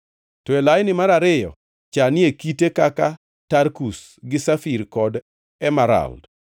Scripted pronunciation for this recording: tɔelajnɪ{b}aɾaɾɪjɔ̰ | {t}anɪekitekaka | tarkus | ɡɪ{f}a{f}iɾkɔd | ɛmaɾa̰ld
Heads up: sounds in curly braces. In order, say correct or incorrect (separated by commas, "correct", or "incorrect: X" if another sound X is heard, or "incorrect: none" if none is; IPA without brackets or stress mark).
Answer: incorrect: m, incorrect: t͡ʃ, incorrect: s, correct